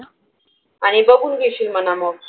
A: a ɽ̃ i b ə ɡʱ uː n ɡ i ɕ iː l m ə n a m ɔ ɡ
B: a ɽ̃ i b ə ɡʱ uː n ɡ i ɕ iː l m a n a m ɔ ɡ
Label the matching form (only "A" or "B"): A